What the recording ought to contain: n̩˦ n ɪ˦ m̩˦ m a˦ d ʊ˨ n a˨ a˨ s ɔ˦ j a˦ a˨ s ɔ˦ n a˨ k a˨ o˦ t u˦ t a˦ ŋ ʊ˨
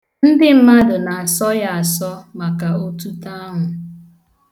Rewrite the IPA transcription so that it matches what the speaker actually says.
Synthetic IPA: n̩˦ d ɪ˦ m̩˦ m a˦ d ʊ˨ n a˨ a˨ s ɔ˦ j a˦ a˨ s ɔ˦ m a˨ k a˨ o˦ t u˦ t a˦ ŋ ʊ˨